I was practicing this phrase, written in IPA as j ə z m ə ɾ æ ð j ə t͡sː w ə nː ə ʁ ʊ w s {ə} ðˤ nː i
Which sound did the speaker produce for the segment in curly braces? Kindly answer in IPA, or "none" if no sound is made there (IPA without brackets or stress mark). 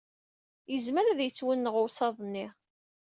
ɑ